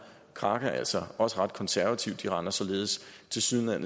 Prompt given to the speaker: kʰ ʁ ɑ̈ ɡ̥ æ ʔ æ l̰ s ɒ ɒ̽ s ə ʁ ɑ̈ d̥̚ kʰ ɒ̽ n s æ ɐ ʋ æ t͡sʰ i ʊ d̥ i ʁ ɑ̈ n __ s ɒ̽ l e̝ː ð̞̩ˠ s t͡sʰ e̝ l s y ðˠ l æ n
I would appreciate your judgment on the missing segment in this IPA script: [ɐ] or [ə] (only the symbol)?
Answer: ɐ